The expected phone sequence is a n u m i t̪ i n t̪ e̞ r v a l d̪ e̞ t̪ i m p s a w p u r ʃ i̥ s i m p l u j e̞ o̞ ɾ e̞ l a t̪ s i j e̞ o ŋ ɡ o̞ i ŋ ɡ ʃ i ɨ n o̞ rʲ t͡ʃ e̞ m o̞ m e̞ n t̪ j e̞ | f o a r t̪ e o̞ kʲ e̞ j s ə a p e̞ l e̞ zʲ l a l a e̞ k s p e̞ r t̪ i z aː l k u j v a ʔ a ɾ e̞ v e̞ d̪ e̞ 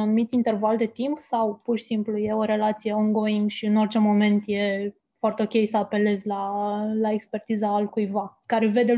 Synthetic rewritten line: a n u m i t̪ i n t̪ e̞ r v a l d̪ e̞ t̪ i m p s a w p u r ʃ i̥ s i m p l u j e̞ o̞ ɾ e̞ l a t̪ s i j e̞ o ŋ ɡ o̞ i ŋ ɡ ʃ i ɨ n o̞ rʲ t͡ʃ e̞ m o̞ m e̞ n t̪ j e̞ | f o a r t̪ e o̞ kʲ e̞ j s ə a p e̞ l e̞ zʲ l a l a e̞ k s p e̞ r t̪ i z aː l k u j v a k a ɾ e̞ v e̞ d̪ e̞